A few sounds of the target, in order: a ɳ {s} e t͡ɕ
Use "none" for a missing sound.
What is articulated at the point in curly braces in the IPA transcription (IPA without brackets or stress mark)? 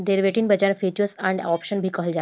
f